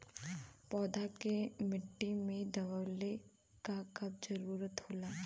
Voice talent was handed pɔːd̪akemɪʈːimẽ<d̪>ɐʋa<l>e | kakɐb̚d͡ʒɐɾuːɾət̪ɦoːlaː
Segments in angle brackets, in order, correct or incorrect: correct, correct

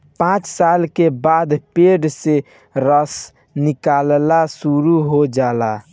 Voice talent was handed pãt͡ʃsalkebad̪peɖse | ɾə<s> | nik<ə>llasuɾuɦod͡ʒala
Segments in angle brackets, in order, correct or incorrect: correct, incorrect: a

